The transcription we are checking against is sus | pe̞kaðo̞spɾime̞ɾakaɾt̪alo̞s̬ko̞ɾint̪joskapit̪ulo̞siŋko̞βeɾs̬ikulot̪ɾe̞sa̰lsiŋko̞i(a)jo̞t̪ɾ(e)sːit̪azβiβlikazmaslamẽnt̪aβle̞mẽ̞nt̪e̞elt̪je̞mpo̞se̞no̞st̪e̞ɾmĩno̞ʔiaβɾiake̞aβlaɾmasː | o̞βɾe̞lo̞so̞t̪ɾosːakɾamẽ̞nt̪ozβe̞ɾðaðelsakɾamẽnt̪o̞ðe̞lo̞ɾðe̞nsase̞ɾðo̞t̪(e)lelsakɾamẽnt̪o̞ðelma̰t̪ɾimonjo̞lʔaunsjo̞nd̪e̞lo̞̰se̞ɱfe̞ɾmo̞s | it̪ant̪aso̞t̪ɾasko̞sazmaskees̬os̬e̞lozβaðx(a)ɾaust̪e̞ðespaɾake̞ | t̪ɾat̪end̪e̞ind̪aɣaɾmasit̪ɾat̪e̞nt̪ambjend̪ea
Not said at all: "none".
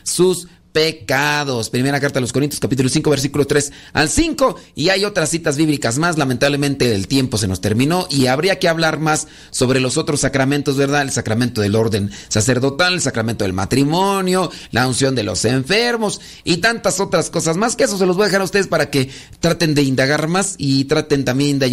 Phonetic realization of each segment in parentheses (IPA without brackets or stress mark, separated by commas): a, a, a, a